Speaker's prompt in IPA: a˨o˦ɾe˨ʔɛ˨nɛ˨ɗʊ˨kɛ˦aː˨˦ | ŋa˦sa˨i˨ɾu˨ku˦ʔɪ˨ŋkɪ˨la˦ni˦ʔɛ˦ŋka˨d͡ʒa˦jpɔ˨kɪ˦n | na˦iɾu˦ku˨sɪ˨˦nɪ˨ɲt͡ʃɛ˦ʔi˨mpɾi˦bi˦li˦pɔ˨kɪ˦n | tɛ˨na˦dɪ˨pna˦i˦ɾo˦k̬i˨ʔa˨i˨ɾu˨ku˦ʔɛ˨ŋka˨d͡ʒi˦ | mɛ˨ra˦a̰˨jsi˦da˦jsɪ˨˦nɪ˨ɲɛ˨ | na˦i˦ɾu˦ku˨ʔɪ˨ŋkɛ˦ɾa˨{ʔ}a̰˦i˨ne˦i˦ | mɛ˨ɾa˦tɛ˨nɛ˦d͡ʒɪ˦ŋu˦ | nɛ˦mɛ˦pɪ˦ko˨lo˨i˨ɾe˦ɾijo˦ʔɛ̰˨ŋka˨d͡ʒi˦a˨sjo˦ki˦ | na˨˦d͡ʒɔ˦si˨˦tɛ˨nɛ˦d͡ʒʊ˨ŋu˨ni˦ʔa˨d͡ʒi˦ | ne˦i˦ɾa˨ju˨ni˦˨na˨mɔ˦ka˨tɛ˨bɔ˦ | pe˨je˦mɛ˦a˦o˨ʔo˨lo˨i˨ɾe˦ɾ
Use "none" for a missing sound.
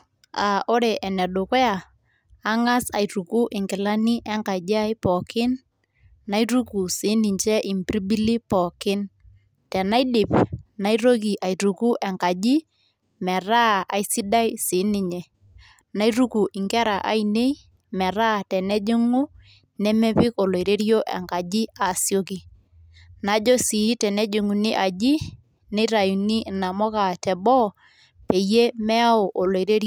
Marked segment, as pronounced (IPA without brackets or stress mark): ʔ